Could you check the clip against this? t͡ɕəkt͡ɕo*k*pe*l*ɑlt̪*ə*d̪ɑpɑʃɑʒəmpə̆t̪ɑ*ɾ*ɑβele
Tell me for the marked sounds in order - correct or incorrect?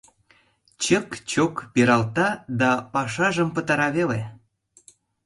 correct, incorrect, incorrect, correct

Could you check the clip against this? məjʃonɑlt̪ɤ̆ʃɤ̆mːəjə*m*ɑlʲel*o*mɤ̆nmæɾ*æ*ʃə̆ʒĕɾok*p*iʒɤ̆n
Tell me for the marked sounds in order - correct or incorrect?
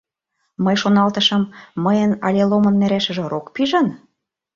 incorrect, correct, correct, correct

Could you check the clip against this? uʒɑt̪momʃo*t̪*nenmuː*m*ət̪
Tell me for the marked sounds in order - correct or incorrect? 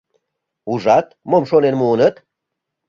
incorrect, incorrect

